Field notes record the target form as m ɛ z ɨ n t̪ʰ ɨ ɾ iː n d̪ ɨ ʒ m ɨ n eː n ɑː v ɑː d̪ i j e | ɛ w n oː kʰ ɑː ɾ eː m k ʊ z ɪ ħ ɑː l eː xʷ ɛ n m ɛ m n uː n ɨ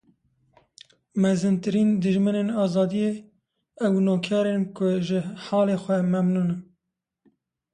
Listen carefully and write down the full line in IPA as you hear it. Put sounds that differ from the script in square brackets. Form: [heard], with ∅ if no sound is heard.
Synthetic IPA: m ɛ z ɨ n [t̪] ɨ ɾ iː n d̪ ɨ ʒ m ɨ n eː n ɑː [z] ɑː d̪ i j e | ɛ w n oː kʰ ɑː ɾ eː [n] k ʊ [ʒ] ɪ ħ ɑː l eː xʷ ɛ [∅] m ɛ m n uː n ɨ